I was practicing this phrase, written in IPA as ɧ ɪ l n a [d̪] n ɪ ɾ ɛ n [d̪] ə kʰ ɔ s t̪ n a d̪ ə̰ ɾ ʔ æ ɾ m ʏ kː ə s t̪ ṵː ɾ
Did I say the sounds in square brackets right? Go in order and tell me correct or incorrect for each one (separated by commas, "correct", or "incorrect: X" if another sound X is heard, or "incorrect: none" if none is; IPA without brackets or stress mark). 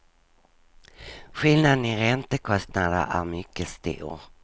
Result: correct, incorrect: t̪